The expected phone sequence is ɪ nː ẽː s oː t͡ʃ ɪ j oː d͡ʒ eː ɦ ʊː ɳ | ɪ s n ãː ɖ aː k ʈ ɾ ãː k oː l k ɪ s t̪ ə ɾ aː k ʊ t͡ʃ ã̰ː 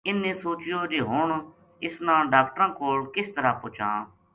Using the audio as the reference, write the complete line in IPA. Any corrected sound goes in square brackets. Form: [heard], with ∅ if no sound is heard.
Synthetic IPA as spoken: ɪ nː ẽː s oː t͡ʃ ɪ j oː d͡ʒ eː ɦ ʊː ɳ | ɪ s n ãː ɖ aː k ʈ ɾ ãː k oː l k ɪ s t̪ ə ɾ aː [p] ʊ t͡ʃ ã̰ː